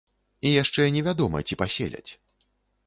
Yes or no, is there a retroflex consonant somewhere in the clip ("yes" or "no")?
yes